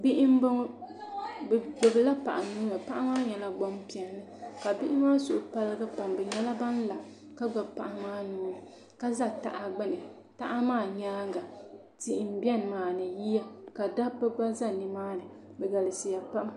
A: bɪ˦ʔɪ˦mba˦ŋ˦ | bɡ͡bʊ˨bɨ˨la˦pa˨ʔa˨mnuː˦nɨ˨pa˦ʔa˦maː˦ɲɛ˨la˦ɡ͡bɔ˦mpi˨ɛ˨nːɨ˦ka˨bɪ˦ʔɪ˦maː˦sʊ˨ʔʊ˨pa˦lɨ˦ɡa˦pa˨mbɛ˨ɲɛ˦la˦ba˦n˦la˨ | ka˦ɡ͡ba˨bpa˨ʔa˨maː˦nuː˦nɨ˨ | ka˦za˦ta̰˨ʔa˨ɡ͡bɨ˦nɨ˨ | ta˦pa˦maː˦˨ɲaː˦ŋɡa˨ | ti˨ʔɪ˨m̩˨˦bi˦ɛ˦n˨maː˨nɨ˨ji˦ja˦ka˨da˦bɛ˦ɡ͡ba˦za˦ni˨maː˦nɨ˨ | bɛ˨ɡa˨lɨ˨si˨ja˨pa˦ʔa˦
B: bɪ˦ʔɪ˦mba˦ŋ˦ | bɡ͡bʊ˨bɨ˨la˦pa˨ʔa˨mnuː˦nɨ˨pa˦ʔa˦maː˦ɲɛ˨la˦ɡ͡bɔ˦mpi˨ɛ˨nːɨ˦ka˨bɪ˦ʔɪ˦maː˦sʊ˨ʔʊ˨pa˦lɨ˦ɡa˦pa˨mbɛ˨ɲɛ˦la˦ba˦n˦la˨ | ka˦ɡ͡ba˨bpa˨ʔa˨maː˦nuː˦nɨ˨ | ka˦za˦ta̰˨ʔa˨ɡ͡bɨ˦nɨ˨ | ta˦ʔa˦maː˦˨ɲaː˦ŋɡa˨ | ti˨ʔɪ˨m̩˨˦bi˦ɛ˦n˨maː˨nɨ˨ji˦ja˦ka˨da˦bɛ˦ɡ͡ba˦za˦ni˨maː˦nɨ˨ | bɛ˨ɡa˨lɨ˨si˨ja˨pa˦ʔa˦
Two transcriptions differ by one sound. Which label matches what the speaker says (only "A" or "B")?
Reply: B